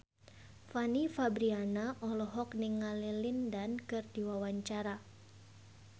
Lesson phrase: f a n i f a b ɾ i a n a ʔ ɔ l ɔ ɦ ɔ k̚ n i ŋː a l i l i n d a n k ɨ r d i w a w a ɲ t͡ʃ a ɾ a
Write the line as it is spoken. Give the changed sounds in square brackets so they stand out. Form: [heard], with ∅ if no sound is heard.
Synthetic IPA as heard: f a n i f a b ɾ i a n a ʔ ɔ l ɔ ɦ ɔ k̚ n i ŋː a l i l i n d a n k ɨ r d i w a w a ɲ t͡ʃ a ɾ a